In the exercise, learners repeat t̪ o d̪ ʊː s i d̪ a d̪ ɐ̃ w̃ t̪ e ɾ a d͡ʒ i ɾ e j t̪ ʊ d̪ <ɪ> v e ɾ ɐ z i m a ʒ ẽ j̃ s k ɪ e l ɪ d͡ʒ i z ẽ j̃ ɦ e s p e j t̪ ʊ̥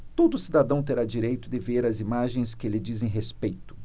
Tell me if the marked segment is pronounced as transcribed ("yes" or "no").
yes